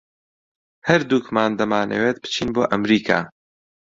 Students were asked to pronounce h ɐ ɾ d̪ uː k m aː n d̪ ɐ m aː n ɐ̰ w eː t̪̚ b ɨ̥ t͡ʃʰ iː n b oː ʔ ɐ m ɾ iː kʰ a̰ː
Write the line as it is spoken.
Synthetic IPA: h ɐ ɾ d̪ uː k m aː n d̪ ɐ m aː n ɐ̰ w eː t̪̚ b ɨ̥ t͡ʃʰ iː n b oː ʔ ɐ m ɾ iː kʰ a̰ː